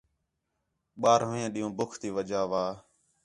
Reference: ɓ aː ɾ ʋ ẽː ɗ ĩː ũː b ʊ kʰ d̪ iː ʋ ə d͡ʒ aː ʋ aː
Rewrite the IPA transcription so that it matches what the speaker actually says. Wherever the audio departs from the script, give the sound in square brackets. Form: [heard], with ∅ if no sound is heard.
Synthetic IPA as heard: ɓ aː ɾ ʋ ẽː ɗ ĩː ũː b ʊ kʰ [t̪] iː ʋ ə d͡ʒ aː ʋ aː